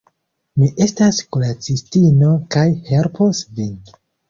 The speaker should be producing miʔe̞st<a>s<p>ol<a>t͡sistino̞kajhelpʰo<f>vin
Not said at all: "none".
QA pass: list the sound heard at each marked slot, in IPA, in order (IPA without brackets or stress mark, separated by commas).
a, k, a, s